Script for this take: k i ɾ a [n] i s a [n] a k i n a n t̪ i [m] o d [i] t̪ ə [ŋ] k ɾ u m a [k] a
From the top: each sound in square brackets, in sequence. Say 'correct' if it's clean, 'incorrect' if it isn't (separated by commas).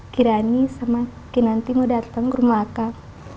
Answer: correct, incorrect, correct, incorrect, correct, correct